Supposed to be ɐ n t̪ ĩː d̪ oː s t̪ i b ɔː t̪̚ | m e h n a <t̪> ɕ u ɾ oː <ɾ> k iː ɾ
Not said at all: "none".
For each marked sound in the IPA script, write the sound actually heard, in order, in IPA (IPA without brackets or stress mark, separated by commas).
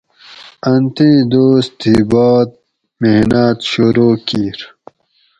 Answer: t̪, none